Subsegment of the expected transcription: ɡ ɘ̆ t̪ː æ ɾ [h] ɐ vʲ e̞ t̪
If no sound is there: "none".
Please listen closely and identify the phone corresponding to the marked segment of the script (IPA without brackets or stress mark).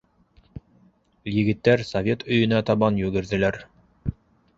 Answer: s